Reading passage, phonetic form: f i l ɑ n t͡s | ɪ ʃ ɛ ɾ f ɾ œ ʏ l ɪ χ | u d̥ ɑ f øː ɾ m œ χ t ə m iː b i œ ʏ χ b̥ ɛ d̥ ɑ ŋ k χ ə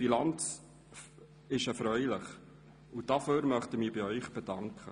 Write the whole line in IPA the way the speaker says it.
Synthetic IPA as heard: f i l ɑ n t͡s | ɪ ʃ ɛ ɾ f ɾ œ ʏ l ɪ χ | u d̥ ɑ f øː ɾ m œ χ t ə m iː b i œ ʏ χ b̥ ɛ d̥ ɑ ŋ k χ ə